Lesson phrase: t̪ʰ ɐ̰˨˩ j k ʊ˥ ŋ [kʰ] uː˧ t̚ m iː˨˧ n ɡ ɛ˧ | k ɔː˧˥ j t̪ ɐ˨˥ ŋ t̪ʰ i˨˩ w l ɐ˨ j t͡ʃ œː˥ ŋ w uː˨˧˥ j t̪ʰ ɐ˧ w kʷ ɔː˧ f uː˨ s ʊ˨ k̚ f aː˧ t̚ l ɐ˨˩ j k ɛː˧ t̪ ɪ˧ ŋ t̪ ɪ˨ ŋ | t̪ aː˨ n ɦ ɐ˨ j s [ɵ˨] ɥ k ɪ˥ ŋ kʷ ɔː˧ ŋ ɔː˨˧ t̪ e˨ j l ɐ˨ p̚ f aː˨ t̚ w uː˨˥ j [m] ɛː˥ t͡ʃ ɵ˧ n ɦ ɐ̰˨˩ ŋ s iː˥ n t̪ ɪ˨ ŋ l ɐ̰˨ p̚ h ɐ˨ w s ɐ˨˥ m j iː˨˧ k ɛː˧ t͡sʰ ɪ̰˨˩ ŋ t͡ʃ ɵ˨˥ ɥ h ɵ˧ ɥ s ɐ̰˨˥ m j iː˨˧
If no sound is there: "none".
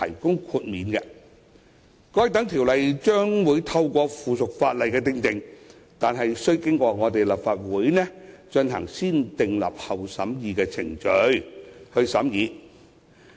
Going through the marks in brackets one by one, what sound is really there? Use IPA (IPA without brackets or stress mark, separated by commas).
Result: kʰ, ɵ˥, n